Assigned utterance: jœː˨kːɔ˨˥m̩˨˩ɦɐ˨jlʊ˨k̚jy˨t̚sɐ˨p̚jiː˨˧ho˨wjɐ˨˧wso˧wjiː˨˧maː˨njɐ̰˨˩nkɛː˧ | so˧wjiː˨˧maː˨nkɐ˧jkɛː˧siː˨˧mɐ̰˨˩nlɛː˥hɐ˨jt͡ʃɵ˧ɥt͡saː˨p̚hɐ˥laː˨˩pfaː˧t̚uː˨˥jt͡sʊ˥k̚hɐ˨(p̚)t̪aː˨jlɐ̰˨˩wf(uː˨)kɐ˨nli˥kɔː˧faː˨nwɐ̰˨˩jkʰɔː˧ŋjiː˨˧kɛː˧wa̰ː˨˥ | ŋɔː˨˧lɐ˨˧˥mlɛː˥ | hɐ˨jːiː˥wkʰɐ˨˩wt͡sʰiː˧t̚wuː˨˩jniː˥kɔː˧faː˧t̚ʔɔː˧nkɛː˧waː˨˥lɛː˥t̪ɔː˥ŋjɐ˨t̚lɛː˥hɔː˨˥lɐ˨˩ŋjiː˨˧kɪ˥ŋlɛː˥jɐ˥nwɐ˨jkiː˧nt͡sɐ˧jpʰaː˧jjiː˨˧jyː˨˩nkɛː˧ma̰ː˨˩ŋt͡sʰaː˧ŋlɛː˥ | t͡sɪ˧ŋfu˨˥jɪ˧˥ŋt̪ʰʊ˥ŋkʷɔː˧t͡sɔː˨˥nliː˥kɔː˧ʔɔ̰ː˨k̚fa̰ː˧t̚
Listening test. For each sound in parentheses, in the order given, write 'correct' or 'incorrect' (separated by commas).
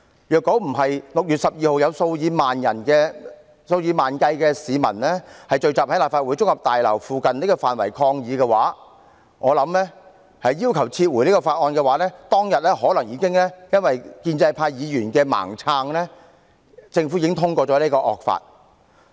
correct, correct